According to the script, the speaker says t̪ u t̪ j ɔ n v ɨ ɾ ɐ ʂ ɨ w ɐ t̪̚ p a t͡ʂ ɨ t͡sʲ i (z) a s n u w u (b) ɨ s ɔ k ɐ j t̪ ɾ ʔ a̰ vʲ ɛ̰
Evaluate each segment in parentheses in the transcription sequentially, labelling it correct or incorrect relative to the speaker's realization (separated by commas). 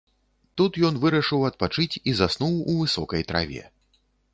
correct, incorrect